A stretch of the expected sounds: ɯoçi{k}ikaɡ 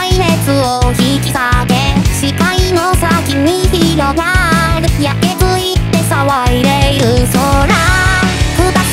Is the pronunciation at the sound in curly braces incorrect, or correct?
correct